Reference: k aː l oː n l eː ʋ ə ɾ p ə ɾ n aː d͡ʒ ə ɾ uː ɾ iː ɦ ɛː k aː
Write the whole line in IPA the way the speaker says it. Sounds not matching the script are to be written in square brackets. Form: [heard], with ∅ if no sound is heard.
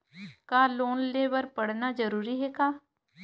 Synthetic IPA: k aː l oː n l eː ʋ ə ɾ p ə [ɽ] n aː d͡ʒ ə ɾ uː ɾ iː ɦ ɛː k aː